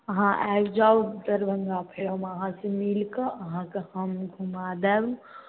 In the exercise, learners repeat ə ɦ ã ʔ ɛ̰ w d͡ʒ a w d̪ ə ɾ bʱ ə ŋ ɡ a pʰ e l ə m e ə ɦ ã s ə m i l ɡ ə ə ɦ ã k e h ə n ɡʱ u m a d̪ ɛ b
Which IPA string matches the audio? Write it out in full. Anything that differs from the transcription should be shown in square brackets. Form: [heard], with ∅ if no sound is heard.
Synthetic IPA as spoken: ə ɦ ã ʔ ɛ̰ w d͡ʒ a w d̪ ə ɾ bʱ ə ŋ ɡ a pʰ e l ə m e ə ɦ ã s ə m i l [k] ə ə ɦ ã k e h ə [m] ɡʱ u m a d̪ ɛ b